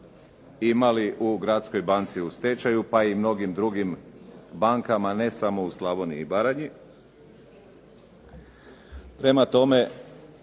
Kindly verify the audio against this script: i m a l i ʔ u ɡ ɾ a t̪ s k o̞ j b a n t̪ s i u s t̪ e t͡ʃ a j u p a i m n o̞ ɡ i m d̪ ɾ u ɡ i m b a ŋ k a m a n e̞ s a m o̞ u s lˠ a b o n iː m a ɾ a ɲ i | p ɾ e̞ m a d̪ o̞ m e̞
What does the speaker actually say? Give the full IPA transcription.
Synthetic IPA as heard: i m a l i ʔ u ɡ ɾ a t̪ s k o̞ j b a n t̪ s i u s t̪ e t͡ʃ a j u p a i m n o̞ ɡ i m d̪ ɾ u ɡ i m b a ŋ k a m a n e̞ s a m o̞ u s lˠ a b o n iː b a ɾ a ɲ i | p ɾ e̞ m a t̪ o̞ m e̞